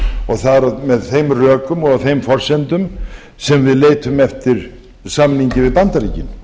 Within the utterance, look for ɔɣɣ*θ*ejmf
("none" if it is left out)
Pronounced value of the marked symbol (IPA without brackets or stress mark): θ